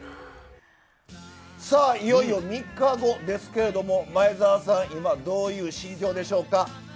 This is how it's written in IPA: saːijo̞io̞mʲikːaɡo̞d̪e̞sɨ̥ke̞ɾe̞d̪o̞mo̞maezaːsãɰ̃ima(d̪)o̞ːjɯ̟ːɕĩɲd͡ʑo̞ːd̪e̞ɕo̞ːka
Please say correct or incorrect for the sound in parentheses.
correct